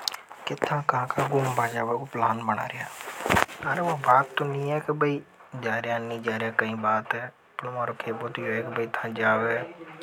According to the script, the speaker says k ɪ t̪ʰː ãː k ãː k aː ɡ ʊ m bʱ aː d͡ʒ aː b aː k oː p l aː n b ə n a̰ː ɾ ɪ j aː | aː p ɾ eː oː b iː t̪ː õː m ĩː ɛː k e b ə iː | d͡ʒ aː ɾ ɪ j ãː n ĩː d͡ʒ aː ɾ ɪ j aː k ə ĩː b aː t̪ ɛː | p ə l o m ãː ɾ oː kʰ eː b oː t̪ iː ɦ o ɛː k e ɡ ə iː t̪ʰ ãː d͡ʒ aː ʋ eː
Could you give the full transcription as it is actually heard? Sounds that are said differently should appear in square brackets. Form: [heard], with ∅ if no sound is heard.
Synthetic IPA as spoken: k ɪ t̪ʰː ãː k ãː k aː ɡ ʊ m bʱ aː d͡ʒ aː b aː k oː p l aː n b ə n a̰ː ɾ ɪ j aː | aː [∅] ɾ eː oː b [aː] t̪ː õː [n] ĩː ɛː k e b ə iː | d͡ʒ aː ɾ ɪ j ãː n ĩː d͡ʒ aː ɾ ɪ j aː k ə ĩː b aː t̪ ɛː | p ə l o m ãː ɾ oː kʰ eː b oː t̪ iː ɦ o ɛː k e [b] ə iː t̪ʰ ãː d͡ʒ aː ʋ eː

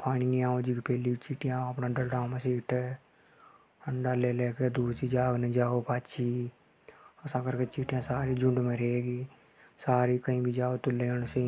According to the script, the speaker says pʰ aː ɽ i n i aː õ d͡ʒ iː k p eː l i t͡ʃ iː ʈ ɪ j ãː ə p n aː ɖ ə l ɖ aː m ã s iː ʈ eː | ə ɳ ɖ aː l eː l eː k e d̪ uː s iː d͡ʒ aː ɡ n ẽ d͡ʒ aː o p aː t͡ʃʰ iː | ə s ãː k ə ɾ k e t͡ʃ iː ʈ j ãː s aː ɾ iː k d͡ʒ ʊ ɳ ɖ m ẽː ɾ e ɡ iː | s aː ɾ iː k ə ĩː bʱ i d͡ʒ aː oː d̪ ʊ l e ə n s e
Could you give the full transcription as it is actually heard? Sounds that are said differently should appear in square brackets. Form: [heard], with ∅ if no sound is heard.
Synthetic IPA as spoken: pʰ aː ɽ i n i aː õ d͡ʒ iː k p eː l i t͡ʃ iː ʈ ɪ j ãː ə p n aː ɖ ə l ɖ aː m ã s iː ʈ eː | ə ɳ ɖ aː l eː l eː k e d̪ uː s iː d͡ʒ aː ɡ n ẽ d͡ʒ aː o p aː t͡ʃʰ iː | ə s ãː k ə ɾ k e t͡ʃ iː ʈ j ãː s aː ɾ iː [∅] d͡ʒ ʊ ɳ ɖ m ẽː ɾ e ɡ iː | s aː ɾ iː k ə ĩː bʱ i d͡ʒ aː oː [t̪] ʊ l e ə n s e

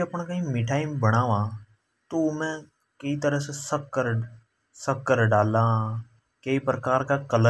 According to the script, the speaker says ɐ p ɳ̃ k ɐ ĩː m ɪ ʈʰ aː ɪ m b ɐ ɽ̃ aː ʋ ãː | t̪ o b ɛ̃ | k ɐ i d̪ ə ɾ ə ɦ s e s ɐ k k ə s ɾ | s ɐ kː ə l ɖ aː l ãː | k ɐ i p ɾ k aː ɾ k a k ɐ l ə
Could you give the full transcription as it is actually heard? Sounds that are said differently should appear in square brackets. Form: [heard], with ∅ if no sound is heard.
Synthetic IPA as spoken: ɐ p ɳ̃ k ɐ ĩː m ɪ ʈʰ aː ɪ m b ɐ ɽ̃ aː ʋ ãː | t̪ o [m] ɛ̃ | k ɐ i [t̪] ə ɾ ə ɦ s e s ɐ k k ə [∅] ɾ | s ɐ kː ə [ɾ] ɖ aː l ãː | k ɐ i p ɾ k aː ɾ k a k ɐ l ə

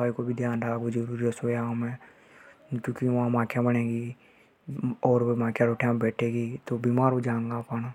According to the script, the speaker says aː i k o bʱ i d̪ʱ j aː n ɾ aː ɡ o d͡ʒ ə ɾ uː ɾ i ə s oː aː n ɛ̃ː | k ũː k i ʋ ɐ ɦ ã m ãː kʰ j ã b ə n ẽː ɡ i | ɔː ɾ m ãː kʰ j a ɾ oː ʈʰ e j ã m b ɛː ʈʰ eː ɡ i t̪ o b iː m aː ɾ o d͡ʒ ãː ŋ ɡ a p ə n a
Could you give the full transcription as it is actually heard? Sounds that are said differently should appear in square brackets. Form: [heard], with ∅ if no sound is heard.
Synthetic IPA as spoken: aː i k o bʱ i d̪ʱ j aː n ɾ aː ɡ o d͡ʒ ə ɾ uː ɾ i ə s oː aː [m] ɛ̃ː | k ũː k i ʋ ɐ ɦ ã m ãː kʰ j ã b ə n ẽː ɡ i | ɔː ɾ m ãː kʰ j a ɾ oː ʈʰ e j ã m b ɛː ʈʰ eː ɡ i t̪ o b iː m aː ɾ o d͡ʒ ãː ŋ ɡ a p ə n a

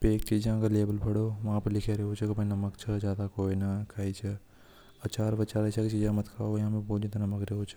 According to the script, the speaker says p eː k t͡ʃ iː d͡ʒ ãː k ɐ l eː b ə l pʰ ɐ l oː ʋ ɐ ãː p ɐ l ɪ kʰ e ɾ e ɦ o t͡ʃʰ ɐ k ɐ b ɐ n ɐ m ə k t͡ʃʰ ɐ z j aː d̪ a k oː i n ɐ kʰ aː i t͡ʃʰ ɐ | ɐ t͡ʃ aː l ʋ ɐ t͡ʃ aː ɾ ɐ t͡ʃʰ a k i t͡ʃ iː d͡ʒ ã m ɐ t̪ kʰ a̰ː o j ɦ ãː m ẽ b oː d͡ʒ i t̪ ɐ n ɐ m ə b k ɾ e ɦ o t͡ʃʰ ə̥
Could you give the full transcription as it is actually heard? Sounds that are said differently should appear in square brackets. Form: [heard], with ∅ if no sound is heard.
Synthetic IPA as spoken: p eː k t͡ʃ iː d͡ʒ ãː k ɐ l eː b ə l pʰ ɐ [ɽ] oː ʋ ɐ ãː p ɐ l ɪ kʰ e ɾ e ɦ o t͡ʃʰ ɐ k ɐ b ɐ n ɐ m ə k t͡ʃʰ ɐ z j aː d̪ a k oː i n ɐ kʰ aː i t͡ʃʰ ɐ | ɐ t͡ʃ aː [ɾ] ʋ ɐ t͡ʃ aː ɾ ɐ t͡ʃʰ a k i t͡ʃ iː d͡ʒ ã m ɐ t̪ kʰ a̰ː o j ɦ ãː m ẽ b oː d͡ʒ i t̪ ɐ n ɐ m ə [∅] k ɾ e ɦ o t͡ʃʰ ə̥

